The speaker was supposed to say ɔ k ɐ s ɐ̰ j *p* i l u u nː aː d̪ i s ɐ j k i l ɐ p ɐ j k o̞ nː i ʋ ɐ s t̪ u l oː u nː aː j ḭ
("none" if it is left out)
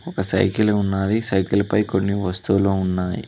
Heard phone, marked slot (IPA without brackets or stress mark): k